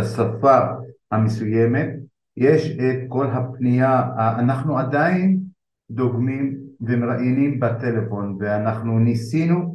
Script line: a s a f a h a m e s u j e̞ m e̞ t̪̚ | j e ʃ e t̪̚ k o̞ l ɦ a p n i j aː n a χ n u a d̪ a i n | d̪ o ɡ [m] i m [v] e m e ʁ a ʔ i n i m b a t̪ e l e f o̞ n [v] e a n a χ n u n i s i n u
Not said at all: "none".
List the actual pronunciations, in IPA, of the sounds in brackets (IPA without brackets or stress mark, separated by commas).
m, v, v